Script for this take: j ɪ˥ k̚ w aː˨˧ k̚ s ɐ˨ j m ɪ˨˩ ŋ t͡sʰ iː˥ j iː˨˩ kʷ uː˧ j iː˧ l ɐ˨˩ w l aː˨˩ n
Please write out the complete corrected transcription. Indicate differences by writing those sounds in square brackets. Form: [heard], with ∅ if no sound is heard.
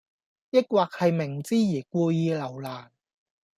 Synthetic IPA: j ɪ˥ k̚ w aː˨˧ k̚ [h] ɐ˨ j m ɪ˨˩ ŋ [t͡s] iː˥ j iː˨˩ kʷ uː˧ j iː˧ l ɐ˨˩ w l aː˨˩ n